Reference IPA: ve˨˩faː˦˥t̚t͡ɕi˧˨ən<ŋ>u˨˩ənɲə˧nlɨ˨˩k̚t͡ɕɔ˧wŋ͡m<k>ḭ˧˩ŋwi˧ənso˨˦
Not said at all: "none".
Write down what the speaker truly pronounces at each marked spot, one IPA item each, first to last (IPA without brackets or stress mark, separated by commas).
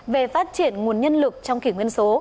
ŋ, k